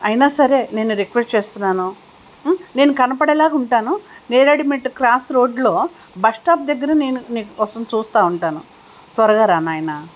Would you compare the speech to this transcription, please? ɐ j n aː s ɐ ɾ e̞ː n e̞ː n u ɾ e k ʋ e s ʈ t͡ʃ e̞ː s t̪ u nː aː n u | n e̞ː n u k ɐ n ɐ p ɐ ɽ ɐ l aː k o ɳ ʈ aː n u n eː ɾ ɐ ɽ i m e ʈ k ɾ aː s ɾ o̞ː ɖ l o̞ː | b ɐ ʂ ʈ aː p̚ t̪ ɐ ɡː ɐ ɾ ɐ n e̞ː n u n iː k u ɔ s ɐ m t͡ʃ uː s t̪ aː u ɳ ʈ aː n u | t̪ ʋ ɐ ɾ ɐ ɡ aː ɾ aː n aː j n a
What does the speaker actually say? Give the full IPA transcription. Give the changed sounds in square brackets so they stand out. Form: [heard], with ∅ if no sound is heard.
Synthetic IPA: ɐ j n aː s ɐ ɾ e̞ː n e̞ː n u ɾ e k ʋ e s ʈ t͡ʃ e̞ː s t̪ u nː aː n u | n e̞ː n u k ɐ n ɐ p ɐ ɽ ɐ l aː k [u] ɳ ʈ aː n u n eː ɾ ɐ ɽ i m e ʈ k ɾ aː s ɾ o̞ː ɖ l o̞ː | b ɐ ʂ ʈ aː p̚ [d̪] ɐ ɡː ɐ ɾ ɐ n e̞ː n u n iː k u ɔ s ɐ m t͡ʃ uː s t̪ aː u ɳ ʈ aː n u | t̪ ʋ ɐ ɾ ɐ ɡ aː ɾ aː n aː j n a